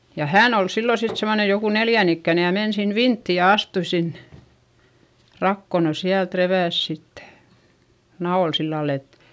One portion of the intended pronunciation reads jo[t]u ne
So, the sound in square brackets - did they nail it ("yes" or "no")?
no